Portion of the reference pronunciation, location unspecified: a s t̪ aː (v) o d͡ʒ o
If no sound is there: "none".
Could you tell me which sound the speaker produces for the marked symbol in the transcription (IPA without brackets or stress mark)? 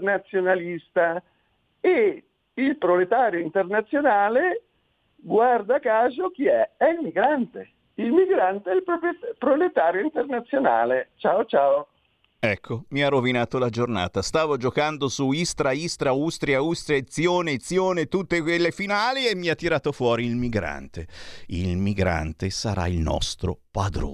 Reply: v